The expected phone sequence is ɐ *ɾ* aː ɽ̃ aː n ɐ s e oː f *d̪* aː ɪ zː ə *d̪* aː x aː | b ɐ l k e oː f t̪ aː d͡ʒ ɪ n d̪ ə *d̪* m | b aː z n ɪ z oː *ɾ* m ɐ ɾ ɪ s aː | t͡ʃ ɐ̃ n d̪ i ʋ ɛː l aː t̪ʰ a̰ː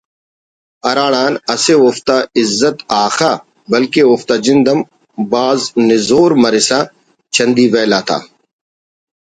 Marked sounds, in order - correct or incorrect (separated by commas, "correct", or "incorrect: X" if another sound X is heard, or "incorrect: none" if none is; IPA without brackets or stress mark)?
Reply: correct, incorrect: t̪, incorrect: t̪, incorrect: none, correct